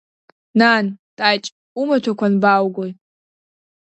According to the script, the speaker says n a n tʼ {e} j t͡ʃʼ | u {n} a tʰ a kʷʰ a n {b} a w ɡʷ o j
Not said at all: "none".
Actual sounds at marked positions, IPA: a, m, b

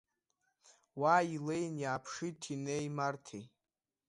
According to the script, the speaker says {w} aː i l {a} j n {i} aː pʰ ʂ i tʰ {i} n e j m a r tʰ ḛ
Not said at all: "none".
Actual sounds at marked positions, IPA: w, e, j, i

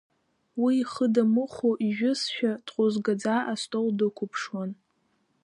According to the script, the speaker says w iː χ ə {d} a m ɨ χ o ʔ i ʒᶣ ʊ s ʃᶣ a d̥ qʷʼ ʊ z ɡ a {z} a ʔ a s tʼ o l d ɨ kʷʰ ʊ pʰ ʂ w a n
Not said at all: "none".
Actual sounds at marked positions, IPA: d, d͡z

